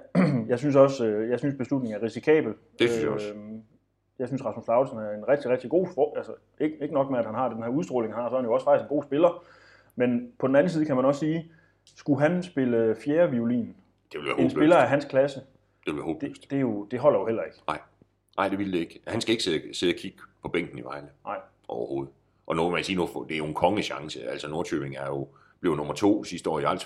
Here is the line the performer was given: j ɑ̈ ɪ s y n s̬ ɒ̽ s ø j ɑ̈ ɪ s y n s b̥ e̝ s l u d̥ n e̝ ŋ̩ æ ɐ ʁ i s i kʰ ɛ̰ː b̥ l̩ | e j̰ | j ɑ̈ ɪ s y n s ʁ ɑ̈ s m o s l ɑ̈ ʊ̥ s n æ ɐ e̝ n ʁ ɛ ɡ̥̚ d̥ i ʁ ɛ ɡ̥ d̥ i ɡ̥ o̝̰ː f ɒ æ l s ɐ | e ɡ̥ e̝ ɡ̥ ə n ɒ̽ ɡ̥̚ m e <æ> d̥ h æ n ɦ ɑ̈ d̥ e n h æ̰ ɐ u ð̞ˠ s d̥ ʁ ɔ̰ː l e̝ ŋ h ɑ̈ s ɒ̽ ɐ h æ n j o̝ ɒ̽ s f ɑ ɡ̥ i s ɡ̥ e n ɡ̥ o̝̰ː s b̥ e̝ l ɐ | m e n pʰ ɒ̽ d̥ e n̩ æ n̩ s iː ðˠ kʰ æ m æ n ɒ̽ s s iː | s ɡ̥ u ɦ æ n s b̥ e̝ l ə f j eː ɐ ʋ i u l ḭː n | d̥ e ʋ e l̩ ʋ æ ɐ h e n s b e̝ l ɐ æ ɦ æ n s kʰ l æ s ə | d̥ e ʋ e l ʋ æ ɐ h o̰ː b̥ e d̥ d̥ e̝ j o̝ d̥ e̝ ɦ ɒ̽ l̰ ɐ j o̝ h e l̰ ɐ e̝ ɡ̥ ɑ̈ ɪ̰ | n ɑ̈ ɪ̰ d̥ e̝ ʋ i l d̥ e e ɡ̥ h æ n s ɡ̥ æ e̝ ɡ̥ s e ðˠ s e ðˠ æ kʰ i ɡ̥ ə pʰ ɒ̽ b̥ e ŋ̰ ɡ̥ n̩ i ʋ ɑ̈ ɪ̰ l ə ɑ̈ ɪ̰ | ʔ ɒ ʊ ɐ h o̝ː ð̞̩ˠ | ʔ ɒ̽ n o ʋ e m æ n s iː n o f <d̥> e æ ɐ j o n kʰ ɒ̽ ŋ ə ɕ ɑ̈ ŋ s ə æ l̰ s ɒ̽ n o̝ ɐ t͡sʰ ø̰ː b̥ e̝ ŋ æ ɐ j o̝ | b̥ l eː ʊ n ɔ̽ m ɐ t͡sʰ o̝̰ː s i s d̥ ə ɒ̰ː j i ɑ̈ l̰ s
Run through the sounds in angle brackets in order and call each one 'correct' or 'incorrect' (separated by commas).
correct, correct